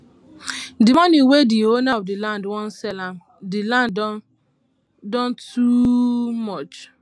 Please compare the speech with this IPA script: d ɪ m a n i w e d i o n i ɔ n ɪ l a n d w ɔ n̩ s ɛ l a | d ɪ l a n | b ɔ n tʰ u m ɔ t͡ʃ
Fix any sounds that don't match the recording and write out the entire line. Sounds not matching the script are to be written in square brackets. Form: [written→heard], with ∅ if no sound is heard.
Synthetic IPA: d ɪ m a n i w e d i o n [i→a] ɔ [n→d] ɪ l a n d w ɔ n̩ s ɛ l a | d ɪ l a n | [b→d] ɔ n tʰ u m ɔ t͡ʃ